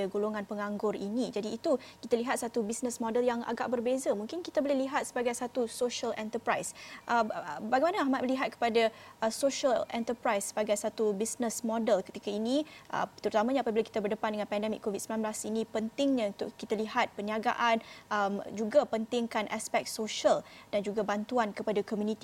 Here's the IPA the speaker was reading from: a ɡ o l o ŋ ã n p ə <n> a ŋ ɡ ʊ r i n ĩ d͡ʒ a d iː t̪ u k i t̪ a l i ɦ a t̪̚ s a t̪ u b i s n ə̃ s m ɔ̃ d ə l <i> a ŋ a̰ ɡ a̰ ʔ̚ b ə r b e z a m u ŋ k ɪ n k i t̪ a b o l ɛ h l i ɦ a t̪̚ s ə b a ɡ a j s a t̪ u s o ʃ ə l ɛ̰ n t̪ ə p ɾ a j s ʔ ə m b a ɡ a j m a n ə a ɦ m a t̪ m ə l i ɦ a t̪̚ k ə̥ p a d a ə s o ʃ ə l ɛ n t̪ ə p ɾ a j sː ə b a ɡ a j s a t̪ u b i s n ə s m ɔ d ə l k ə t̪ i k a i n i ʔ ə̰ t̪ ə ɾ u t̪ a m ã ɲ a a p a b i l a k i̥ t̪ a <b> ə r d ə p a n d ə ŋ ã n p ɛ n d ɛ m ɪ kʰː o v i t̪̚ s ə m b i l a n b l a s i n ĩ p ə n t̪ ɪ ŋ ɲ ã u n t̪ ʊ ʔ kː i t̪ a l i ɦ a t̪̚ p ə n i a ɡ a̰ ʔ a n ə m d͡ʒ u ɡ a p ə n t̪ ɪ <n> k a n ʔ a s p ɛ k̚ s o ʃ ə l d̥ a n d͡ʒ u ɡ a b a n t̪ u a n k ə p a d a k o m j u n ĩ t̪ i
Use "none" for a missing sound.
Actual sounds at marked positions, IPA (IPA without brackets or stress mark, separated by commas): ŋ, j, b, ŋ